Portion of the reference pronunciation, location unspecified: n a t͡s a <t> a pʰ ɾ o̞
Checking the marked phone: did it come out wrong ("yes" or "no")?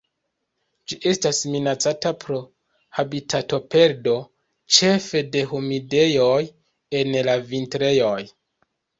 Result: no